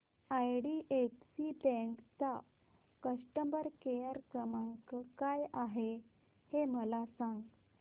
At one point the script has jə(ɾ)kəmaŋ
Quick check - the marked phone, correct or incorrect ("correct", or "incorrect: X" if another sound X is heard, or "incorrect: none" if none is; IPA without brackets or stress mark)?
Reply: correct